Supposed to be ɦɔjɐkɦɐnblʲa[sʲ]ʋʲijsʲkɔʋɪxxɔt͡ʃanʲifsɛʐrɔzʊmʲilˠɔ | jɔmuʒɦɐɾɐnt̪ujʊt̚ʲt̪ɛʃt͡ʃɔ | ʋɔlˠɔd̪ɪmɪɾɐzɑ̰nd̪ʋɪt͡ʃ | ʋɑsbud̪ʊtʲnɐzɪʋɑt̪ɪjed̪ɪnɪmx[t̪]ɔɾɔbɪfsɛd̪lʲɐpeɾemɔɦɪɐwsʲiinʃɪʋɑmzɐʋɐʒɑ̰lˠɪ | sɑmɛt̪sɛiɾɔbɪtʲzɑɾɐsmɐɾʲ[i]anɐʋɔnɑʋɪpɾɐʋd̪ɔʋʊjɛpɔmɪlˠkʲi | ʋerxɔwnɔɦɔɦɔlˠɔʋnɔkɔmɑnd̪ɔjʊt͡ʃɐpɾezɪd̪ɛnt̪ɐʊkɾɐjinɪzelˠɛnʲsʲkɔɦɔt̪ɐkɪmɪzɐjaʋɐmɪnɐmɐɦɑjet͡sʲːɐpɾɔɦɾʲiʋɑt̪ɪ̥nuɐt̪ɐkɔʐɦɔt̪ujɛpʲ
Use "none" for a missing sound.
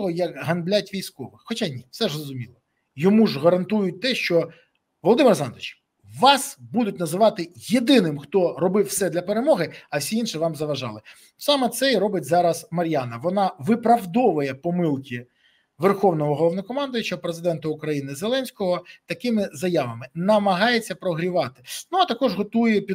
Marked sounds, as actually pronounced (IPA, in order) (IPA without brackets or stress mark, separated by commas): tʲ, t̪, j